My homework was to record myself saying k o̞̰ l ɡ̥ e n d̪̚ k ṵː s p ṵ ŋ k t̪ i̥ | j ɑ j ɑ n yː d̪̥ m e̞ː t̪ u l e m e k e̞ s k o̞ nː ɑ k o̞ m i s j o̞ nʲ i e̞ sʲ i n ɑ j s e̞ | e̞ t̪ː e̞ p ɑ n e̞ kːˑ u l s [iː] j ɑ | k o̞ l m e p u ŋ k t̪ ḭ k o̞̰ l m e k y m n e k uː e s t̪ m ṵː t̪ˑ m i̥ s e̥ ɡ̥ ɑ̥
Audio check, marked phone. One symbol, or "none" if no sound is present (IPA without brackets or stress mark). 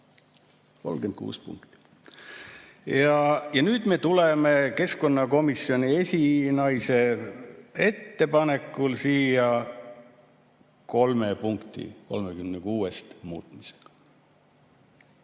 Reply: iː